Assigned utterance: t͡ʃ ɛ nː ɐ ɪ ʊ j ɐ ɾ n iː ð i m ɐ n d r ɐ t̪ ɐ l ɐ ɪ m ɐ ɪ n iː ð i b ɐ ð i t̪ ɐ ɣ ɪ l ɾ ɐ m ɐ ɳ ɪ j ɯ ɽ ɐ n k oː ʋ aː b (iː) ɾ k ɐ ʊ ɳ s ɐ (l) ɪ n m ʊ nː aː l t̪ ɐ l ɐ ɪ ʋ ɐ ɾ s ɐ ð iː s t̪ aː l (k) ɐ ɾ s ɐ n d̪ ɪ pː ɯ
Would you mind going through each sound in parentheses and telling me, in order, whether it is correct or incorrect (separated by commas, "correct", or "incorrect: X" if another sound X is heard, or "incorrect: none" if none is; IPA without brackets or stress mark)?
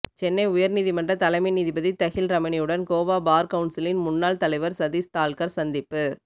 incorrect: aː, correct, correct